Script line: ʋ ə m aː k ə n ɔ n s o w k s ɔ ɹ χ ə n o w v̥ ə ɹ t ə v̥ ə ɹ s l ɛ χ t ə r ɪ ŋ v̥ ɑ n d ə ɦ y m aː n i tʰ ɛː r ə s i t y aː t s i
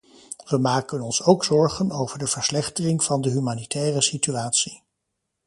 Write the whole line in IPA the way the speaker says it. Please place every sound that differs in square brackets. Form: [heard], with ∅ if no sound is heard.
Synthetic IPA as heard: ʋ ə m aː k ə n ɔ n s o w k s ɔ ɹ χ ə n o w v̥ ə ɹ [d] ə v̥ ə ɹ s l ɛ χ t ə r ɪ ŋ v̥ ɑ n d ə ɦ y m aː n i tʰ ɛː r ə s i t y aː t s i